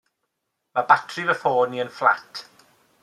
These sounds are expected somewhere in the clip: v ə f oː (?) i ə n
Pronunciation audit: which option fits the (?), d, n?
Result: n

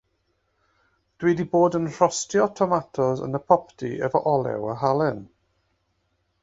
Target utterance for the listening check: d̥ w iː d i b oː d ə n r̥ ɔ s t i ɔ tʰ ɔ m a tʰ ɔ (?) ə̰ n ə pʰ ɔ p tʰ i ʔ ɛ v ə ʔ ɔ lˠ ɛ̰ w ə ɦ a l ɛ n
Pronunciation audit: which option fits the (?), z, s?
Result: z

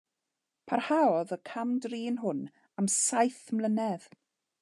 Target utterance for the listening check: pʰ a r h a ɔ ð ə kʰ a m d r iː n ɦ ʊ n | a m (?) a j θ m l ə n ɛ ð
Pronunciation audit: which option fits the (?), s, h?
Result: s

